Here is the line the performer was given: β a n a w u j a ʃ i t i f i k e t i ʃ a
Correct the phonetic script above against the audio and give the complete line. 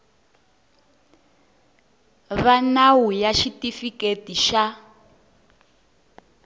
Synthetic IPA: β a n a w u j a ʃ i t i f i k e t i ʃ a